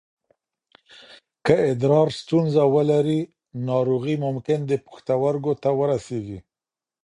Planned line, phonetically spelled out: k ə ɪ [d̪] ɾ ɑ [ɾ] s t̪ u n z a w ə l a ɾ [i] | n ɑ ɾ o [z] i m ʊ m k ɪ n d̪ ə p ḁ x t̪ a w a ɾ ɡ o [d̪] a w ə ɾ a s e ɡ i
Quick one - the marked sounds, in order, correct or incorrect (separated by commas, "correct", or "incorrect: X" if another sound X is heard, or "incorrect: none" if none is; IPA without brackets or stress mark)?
correct, correct, correct, incorrect: ɣ, incorrect: t̪